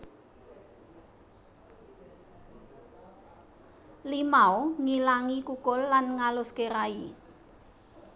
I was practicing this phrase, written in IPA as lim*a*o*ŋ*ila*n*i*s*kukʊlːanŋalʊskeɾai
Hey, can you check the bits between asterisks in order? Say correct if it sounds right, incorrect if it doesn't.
correct, correct, incorrect: ŋ, incorrect: none

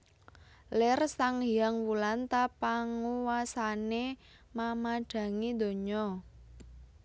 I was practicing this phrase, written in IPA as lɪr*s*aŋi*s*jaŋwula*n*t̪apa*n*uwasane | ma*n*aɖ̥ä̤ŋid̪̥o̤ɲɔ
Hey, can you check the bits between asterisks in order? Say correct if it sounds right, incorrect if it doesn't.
correct, incorrect: none, correct, incorrect: ŋ, incorrect: m

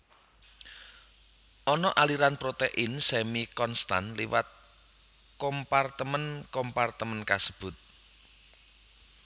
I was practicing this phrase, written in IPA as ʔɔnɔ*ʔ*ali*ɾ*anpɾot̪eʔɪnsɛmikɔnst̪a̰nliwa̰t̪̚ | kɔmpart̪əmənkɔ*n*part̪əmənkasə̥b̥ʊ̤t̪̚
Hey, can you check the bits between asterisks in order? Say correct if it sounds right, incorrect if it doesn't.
correct, correct, incorrect: m

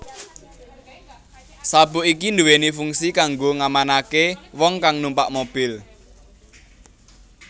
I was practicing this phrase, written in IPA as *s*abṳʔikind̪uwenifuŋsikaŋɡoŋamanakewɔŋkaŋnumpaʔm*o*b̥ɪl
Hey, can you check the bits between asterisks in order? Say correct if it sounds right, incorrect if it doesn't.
correct, correct

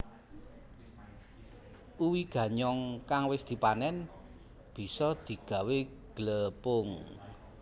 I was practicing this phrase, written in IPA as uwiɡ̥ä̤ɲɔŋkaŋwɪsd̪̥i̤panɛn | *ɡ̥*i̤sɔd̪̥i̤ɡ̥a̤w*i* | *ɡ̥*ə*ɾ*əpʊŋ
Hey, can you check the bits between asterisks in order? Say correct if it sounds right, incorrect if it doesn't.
incorrect: b̥, incorrect: e, correct, incorrect: l

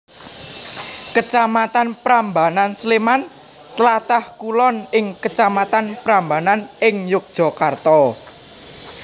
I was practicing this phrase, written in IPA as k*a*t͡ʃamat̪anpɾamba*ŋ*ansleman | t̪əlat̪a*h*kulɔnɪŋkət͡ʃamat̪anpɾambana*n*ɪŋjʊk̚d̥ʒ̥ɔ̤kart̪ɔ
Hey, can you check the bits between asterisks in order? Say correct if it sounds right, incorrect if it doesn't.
incorrect: ə, incorrect: n, correct, correct

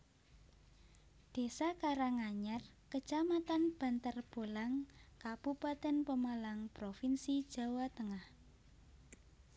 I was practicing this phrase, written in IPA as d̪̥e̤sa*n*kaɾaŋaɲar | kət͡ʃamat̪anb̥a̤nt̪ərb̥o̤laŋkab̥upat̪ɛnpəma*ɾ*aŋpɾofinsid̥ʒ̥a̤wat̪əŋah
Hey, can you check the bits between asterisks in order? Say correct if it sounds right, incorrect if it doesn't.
incorrect: none, incorrect: l

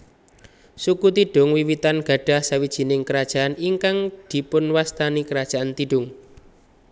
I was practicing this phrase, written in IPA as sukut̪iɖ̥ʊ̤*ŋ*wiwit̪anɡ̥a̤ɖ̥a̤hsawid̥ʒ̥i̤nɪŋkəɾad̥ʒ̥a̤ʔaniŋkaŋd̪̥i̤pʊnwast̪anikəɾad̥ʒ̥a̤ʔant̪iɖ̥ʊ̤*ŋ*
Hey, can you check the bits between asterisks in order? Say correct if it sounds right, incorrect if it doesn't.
correct, correct

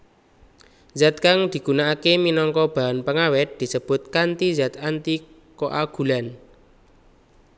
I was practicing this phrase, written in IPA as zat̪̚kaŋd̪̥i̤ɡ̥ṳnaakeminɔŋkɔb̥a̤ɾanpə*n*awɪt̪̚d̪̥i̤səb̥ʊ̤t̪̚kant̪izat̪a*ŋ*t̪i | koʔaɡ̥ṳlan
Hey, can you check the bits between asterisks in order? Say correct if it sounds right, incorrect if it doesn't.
incorrect: ŋ, incorrect: n

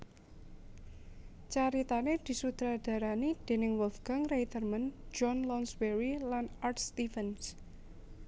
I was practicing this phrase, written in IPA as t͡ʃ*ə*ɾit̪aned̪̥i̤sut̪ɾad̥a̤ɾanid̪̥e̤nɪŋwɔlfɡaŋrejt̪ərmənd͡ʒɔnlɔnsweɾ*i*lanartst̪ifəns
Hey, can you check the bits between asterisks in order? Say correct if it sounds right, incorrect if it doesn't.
incorrect: a, correct

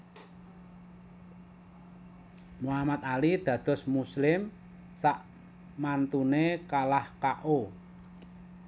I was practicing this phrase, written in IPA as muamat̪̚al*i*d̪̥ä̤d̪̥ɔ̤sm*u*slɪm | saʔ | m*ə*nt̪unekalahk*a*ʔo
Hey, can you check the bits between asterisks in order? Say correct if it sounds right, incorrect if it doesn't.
correct, correct, incorrect: a, correct

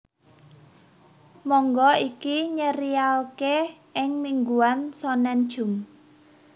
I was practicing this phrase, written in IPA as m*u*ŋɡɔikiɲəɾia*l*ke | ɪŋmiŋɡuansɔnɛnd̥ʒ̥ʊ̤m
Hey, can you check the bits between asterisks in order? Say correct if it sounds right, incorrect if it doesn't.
incorrect: ɔ, correct

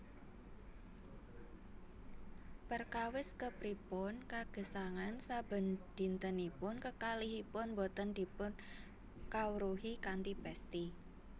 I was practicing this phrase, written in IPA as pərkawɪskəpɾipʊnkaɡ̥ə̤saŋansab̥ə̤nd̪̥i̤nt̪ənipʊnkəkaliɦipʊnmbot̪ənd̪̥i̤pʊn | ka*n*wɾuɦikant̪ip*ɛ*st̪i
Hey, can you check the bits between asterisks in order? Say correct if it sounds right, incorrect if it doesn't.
incorrect: none, correct

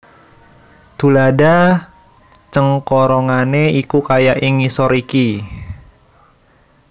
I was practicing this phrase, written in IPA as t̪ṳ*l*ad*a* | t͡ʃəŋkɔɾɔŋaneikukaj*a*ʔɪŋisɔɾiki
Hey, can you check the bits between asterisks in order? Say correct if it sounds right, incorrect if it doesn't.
correct, correct, correct

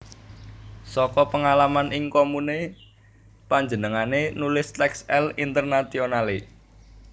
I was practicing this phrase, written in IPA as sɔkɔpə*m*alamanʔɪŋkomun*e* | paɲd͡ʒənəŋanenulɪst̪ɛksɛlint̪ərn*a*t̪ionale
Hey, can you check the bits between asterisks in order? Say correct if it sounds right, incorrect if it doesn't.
incorrect: ŋ, correct, correct

